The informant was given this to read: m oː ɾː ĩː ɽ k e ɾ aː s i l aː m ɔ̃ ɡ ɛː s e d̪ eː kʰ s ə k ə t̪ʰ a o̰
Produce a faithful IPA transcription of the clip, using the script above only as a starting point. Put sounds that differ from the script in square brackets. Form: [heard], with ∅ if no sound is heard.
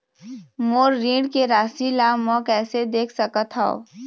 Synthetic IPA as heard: m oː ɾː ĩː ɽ k e ɾ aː s i l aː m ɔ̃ [k] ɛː s e d̪ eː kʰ s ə k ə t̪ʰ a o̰